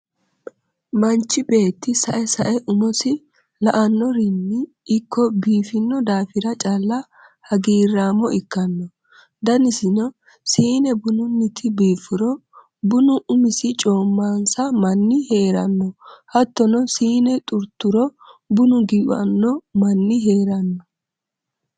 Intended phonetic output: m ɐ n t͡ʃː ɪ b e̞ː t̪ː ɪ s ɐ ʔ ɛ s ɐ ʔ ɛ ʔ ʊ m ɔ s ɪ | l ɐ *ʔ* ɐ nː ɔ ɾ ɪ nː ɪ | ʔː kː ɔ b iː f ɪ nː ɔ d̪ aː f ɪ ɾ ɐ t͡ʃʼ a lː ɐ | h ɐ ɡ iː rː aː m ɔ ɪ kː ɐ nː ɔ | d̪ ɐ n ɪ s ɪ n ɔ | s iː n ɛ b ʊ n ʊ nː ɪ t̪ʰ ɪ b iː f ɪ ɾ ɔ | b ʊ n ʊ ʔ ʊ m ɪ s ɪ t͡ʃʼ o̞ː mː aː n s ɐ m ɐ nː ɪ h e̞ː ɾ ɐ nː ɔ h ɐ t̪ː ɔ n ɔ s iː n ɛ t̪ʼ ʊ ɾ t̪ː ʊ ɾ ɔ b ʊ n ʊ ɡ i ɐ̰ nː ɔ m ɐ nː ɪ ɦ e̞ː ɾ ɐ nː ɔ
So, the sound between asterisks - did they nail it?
yes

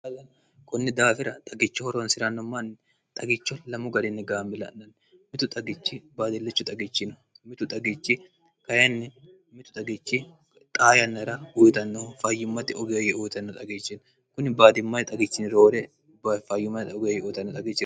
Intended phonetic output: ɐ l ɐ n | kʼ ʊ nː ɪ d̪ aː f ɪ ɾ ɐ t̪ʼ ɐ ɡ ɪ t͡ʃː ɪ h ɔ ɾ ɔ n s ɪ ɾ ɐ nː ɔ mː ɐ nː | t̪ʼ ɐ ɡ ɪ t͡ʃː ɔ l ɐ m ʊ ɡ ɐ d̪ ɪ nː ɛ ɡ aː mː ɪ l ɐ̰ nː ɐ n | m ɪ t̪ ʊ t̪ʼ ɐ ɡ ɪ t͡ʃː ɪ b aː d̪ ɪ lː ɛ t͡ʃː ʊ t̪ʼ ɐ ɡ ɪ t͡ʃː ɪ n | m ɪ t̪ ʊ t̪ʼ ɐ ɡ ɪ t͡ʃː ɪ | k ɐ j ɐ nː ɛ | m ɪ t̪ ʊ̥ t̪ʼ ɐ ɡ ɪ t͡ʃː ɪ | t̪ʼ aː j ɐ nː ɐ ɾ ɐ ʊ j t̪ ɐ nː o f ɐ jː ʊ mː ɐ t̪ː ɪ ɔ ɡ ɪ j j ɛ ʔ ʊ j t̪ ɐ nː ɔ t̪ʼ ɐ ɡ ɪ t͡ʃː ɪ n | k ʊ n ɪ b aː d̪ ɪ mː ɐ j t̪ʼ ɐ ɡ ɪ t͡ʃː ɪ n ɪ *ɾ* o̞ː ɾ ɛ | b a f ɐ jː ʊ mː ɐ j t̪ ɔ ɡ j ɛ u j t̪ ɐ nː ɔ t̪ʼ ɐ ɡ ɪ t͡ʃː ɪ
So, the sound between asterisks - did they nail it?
yes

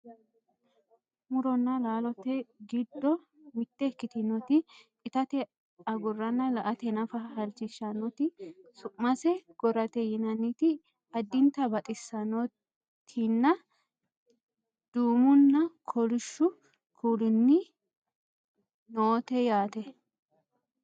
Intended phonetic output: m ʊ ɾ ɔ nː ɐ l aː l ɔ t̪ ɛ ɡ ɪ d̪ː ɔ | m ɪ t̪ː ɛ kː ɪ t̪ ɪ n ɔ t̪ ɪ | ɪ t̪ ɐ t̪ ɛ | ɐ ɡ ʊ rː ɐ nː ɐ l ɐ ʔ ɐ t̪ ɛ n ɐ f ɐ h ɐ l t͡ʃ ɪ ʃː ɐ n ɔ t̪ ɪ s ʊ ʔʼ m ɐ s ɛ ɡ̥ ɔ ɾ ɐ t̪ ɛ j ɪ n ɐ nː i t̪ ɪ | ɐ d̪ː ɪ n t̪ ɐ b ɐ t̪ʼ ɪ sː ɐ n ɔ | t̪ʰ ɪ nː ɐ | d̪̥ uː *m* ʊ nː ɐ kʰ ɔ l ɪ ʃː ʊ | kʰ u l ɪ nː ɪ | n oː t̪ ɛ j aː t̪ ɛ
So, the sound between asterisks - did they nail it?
yes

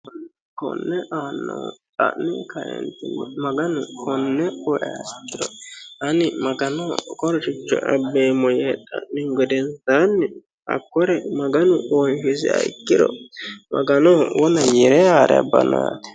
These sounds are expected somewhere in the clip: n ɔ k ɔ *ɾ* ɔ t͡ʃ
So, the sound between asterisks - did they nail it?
yes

